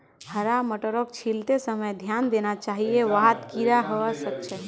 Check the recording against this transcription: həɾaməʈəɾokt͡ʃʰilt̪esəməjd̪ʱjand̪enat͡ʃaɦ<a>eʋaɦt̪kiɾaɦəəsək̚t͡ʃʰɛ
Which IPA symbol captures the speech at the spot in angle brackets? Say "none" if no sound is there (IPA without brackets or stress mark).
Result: i